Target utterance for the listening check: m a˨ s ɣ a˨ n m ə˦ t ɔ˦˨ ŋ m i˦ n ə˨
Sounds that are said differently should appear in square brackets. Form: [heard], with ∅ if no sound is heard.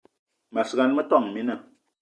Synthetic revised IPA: m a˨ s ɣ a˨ n m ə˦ t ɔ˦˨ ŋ m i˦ n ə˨